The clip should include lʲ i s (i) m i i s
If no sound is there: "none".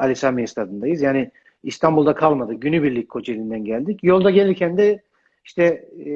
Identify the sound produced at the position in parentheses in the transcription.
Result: a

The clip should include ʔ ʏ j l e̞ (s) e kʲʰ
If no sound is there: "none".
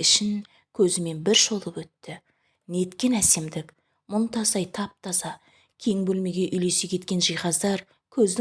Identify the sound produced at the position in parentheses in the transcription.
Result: s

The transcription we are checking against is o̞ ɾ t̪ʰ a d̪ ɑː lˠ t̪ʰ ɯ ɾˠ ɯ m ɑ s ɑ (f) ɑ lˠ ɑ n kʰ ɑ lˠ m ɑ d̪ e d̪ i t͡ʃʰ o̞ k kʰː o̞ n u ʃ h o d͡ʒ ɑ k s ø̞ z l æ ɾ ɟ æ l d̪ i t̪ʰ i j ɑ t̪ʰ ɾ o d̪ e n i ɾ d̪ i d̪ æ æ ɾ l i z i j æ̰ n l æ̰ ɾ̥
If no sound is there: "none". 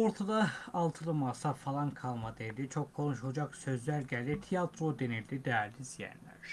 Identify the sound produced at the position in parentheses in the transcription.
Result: f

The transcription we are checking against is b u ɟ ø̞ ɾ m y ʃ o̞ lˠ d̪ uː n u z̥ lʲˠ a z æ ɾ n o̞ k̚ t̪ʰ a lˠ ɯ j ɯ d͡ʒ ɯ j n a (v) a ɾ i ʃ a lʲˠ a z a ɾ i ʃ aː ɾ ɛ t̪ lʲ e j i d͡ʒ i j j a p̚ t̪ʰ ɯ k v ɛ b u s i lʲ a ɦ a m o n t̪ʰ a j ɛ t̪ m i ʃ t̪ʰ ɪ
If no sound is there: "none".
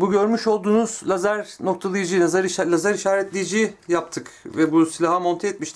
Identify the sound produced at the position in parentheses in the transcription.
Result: z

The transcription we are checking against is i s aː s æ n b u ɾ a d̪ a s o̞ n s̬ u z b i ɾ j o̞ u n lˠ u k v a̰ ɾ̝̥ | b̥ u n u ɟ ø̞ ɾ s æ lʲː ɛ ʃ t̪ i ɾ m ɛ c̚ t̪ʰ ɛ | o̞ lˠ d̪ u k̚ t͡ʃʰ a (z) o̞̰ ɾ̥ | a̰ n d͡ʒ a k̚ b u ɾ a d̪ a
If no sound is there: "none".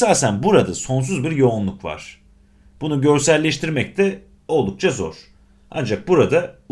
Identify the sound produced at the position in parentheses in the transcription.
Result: z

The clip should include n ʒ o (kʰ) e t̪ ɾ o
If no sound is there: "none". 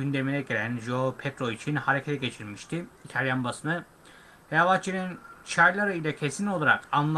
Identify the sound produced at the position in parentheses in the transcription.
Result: pʰ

